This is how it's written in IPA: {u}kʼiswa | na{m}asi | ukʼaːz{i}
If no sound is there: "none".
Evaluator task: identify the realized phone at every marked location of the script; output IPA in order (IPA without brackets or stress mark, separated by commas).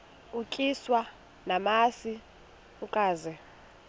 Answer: u, m, ɛ